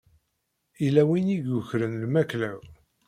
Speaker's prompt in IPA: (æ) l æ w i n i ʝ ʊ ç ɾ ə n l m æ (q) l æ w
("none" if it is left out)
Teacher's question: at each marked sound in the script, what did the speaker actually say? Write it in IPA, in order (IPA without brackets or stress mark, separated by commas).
i, k